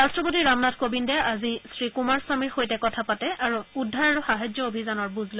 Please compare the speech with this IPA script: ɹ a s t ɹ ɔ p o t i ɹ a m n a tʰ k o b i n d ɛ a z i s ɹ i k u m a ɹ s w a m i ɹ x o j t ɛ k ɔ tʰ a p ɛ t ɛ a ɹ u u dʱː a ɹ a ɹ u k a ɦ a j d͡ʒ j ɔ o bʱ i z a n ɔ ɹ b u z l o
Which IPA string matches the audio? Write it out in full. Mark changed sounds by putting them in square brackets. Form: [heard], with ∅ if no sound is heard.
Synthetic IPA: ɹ a s t ɹ ɔ p o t i ɹ a m n a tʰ k o b i n d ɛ a z i s ɹ i k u m a ɹ s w a m i ɹ x o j t ɛ k ɔ tʰ a p [a] t ɛ a ɹ u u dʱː a ɹ a ɹ u [x] a ɦ a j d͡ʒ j ɔ o bʱ i z a n ɔ ɹ b u z l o